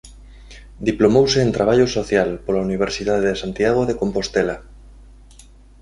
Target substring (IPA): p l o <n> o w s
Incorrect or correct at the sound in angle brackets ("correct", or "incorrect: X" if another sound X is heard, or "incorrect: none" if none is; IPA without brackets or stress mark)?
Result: incorrect: m